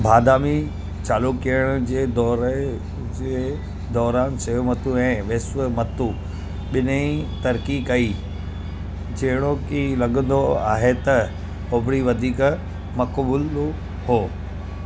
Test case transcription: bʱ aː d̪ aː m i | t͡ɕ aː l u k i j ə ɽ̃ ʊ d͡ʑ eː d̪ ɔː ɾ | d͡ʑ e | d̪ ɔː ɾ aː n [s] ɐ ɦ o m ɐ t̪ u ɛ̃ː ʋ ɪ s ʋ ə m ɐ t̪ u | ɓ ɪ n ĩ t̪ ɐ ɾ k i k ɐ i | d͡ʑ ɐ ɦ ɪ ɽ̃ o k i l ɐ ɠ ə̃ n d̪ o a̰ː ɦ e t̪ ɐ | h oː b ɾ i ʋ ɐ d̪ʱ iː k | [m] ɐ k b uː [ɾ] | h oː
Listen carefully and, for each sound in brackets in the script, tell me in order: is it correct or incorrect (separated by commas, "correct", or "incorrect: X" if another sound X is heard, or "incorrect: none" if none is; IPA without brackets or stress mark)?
correct, correct, incorrect: l